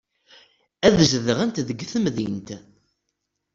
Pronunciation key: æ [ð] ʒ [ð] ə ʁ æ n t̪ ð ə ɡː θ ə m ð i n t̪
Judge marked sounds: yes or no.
yes, yes

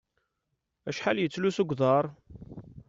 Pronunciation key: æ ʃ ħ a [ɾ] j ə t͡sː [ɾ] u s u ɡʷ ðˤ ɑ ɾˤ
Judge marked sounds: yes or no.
no, no

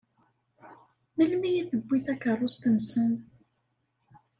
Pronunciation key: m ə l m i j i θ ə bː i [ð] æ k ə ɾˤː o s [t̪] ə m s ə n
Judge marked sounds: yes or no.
no, yes

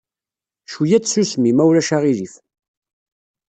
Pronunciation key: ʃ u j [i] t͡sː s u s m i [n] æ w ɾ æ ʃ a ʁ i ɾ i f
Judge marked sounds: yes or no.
no, no

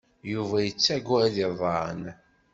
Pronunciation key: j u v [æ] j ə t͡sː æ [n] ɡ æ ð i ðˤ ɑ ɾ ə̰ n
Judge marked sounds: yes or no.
yes, no

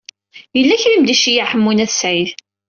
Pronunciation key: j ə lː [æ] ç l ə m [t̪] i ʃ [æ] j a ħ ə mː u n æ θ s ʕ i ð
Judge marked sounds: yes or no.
yes, no, no

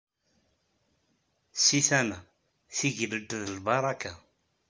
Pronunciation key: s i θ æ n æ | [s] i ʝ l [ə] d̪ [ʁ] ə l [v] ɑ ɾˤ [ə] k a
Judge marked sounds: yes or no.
no, yes, no, no, no

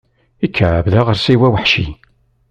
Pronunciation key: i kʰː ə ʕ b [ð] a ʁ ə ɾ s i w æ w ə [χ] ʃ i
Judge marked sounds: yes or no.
yes, no

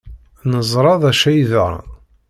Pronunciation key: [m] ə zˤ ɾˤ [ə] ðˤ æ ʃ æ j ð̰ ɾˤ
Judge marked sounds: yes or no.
no, no

